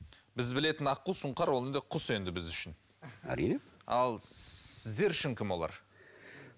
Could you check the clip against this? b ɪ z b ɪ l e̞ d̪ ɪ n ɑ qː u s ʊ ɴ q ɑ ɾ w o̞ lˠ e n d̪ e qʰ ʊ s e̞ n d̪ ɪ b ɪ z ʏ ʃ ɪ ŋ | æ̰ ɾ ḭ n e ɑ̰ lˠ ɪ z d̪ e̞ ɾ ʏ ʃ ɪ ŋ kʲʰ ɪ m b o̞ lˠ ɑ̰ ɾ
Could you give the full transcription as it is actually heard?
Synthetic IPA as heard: b ɪ z b ɪ l e̞ t̪ ɪ n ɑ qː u s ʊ ɴ q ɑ ɾ w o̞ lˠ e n d̪ e qʰ ʊ s e̞ n d̪ ɪ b ɪ z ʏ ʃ ɪ n | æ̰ ɾ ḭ n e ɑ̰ lˠ ɪ z d̪ e̞ ɾ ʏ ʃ ɪ ŋ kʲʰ ɪ m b o̞ lˠ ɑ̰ ɾ

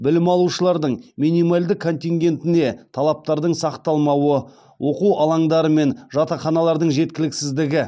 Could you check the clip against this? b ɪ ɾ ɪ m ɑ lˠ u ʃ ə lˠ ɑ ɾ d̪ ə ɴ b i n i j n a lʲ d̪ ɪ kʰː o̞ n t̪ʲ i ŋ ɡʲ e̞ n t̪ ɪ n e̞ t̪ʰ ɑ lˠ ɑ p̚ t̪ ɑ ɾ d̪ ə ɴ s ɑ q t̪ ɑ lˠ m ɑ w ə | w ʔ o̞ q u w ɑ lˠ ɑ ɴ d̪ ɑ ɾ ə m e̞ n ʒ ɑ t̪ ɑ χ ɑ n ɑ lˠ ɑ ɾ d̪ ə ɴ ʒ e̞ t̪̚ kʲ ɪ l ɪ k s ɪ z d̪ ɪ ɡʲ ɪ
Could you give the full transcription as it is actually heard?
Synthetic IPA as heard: b ɪ l ɪ m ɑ lˠ u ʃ ə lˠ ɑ ɾ d̪ ə ɴ m i n i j m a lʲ d̪ ɪ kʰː o̞ n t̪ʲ i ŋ ɡʲ e̞ n t̪ ɪ n e̞ t̪ʰ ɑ lˠ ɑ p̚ t̪ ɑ ɾ d̪ ə ɴ s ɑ q t̪ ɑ lˠ m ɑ w ə | w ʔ o̞ q u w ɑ lˠ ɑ ɴ d̪ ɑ ɾ ə m e̞ n ʒ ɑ t̪ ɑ χ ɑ n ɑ lˠ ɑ ɾ d̪ ə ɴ ʒ e̞ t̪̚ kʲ ɪ l ɪ k s ɪ z d̪ ɪ ɡʲ ɪ

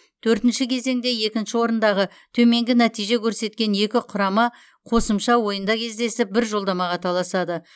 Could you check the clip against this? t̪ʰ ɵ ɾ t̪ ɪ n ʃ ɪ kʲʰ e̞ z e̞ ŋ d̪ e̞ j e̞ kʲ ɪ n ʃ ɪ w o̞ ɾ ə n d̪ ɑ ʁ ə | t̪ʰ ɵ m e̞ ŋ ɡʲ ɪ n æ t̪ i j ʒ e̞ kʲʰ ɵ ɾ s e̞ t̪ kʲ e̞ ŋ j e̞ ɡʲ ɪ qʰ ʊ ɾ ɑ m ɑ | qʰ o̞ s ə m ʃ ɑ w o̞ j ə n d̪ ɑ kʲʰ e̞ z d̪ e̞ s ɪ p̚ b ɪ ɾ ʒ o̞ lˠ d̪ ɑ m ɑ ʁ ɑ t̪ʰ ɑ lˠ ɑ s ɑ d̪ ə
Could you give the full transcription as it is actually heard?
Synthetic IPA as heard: t̪ʰ ɵ ɾ t̪ ɪ n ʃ ɪ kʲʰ e̞ z e̞ ŋ d̪ e̞ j e̞ kʲ ɪ n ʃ ɪ w o̞ ɾ ə n d̪ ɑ ʁ ə | t̪ʰ ɵ m e̞ ŋ ɡʲ ɪ n æ t̪ i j ʒ e̞ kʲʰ ɵ ɾ s e̞ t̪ kʲ e̞ n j e̞ kʲ ɪ qʰ ʊ ɾ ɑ m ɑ | qʰ o̞ s ə m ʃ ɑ w o̞ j ə n d̪ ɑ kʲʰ e̞ z d̪ e̞ s ɪ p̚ b ɪ ɾ ʒ o̞ lˠ d̪ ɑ m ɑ ʁ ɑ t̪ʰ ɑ lˠ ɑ s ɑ d̪ ə

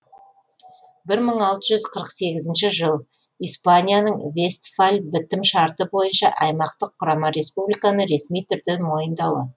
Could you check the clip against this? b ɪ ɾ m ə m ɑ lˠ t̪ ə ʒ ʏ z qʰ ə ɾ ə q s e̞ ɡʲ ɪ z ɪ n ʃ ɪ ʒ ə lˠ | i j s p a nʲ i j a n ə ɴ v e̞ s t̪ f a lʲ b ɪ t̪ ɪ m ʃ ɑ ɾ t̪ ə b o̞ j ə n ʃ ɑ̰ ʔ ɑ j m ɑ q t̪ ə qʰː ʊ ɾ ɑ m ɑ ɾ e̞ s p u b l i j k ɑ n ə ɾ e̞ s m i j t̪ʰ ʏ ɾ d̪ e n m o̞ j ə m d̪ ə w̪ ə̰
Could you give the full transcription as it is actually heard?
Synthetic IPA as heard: b ɪ ɾ m ə ɴ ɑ lˠ t̪ ə ʒ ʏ z qʰ ə ɾ ə q s e̞ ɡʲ ɪ z ɪ n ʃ ɪ ʒ ə lˠ | i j s p a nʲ i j a n ə ɴ v e̞ s t̪ f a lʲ b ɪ t̪ ɪ m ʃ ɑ ɾ t̪ ə b o̞ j ə n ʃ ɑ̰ ʔ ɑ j m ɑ q t̪ ə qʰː ʊ ɾ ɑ m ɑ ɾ e̞ s p u b l i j k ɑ n ə ɾ e̞ s m i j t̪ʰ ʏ ɾ d̪ e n m o̞ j ə n d̪ ɑ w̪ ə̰

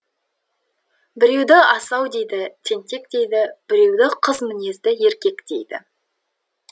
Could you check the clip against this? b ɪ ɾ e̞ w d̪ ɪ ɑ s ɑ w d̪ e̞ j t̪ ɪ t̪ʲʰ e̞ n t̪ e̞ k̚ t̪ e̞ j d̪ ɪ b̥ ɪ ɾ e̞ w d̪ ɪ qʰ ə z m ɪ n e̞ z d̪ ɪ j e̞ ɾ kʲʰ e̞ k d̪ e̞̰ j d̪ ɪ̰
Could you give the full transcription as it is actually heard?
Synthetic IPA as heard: b ɪ ɾ e̞ w d̪ ɪ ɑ s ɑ w d̪ e̞ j d̪ ɪ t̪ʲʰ e̞ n t̪ e̞ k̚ t̪ e̞ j d̪ ɪ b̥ ɪ ɾ e̞ w d̪ ɪ qʰ ə z m ɪ n e̞ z d̪ ɪ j e̞ ɾ kʲ e̞ k t̪ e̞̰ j d̪ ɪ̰

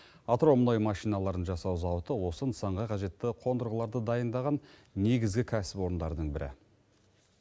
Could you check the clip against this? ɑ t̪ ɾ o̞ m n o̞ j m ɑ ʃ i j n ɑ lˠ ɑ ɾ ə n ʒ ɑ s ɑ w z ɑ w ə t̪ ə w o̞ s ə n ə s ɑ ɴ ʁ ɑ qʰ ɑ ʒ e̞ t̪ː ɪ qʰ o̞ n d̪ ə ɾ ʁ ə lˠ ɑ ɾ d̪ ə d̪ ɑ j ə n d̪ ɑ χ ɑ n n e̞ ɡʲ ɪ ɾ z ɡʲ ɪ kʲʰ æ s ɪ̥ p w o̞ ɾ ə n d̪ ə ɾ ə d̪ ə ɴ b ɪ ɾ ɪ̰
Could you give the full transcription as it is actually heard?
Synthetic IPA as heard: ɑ t̪ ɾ o̞ m n o̞ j m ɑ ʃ i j n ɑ lˠ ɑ ɾ ə n ʒ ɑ s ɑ w z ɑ w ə t̪ ə w o̞ s ə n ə s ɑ ɴ ʁ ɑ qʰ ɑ ʒ e̞ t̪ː ɪ qʰ o̞ n d̪ ə ɾ ʁ ə lˠ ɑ ɾ d̪ ə d̪ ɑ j ə n d̪ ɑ ʁ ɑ n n e̞ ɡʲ ɪ z ɡʲ ɪ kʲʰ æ s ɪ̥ p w o̞ ɾ ə n d̪ ɑ ɾ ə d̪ ə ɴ b ɪ ɾ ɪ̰

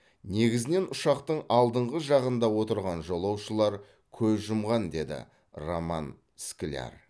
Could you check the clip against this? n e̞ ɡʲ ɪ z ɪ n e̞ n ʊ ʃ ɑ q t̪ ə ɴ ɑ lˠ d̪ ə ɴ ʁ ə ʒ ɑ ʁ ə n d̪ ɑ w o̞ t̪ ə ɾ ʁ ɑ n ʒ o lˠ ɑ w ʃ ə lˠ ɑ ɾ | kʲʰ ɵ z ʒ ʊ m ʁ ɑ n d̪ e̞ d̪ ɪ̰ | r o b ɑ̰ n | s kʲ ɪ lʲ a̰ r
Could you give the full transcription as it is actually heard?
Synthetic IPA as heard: n e̞ ɡʲ ɪ z ɪ n e̞ n ʊ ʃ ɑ q t̪ ə ɴ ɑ lˠ d̪ ə ɴ ʁ ə ʒ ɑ ʁ ə n d̪ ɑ w o̞ t̪ ə ɾ ʁ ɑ n ʒ o lˠ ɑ w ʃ ə lˠ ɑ ɾ | kʲʰ ɵ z ʒ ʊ m ʁ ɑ n d̪ e̞ d̪ ɪ̰ | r o m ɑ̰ n | s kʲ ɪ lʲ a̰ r

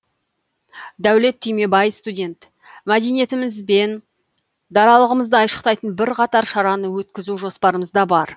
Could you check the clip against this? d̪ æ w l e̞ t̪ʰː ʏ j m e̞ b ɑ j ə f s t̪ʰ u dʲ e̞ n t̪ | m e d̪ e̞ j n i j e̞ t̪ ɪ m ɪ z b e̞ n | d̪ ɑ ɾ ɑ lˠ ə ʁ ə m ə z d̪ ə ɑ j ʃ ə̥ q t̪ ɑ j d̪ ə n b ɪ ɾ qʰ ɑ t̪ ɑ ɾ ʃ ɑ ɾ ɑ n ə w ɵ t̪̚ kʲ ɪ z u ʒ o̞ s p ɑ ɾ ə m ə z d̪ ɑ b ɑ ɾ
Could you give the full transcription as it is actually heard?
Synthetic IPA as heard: d̪ æ w l e̞ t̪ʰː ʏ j m e̞ b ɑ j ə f s t̪ u dʲ e̞ n t̪ | m æ d̪ e̞ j n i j e̞ t̪ ɪ m ɪ z b e̞ n | d̪ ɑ ɾ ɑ lˠ ə ʁ ə m ə z d̪ ə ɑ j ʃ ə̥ q t̪ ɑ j t̪ ə n b ɪ ɾ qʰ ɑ t̪ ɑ ɾ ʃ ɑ ɾ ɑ n ə w ɵ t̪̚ kʲ ɪ z u ʒ o̞ s p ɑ ɾ ə m ə z d̪ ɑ b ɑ ɾ

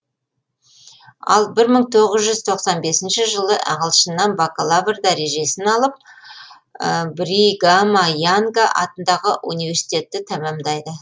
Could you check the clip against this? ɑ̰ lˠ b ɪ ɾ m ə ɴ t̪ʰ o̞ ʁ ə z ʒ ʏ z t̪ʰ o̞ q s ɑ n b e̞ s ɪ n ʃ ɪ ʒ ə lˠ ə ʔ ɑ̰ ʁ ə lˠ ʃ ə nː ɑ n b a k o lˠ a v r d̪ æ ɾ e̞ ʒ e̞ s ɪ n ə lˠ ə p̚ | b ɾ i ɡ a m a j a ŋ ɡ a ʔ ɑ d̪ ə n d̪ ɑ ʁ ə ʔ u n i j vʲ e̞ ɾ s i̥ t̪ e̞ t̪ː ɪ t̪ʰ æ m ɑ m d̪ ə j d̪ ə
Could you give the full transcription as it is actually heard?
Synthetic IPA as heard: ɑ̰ lˠ b ɪ ɾ m ə ɴ t̪ʰ o̞ ʁ ə z ʒ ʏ z t̪ʰ o̞ q s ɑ n b e̞ s ɪ n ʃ ɪ ʒ ə lˠ ə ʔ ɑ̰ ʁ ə lˠ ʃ ə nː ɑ n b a k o lˠ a v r d̪ æ ɾ e̞ ʒ e̞ s ɪ n ɑ lˠ ə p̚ | b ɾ i ɡ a m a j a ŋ ɡ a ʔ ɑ t̪ ə n d̪ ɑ ʁ ə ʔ u n i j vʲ e̞ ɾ s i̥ t̪ e̞ t̪ː ɪ t̪ʰ æ m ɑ m d̪ ɑ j d̪ ə

